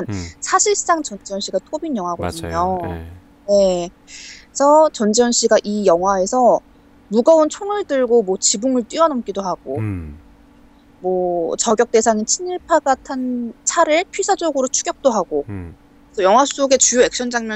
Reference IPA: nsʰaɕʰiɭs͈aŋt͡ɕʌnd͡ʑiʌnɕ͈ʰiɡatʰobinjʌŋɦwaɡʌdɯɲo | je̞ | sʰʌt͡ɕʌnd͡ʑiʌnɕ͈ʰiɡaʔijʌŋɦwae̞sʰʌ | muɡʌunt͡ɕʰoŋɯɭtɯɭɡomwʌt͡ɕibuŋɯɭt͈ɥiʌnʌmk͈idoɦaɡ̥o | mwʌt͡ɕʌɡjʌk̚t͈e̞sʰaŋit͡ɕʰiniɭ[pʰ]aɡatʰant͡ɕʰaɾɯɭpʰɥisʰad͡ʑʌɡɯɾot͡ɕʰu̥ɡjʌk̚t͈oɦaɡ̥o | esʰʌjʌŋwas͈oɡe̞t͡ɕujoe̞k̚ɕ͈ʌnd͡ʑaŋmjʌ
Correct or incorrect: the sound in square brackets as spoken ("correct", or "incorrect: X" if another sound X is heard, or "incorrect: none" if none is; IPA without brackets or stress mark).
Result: correct